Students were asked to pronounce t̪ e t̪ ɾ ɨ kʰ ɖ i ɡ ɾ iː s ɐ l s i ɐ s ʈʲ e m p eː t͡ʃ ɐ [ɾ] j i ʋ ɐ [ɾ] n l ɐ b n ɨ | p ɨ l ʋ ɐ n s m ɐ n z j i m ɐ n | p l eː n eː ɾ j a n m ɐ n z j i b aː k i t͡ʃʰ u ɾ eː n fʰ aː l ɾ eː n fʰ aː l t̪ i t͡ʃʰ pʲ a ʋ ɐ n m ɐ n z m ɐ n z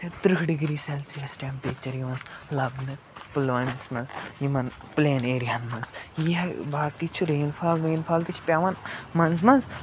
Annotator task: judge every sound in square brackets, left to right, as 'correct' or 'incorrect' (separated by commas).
correct, incorrect